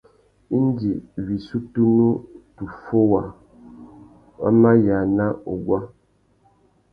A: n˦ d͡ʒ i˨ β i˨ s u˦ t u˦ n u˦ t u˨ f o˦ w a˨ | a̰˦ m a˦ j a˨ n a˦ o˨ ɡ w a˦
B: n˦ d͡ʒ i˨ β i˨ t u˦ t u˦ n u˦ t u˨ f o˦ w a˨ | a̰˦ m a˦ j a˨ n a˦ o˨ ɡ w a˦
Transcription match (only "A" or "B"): A